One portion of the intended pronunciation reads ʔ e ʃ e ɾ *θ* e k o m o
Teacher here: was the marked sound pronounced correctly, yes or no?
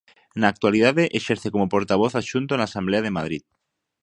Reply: yes